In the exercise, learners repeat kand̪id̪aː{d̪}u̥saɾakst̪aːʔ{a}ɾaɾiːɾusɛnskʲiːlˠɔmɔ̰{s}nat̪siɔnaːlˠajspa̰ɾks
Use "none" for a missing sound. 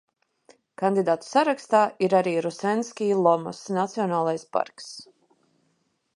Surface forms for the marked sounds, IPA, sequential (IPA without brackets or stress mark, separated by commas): t̪, i, s